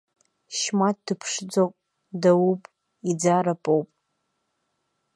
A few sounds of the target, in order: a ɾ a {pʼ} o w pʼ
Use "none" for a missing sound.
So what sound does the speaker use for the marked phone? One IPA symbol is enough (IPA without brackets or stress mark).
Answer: pʼ